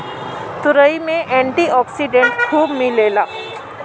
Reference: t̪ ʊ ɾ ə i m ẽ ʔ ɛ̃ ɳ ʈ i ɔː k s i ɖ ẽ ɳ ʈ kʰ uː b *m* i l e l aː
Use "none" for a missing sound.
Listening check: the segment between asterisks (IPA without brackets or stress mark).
m